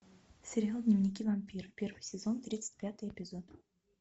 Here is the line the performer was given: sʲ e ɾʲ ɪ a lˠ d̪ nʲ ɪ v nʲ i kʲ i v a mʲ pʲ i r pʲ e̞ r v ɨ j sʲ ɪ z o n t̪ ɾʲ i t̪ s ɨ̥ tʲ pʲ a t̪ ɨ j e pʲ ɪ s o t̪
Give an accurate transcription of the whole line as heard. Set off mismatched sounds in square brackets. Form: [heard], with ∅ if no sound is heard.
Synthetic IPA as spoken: sʲ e ɾʲ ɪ a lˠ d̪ nʲ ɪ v nʲ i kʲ i v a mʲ pʲ i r pʲ e̞ r v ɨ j sʲ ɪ z o n t̪ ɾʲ i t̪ s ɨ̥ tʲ pʲ a t̪ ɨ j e pʲ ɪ [z] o t̪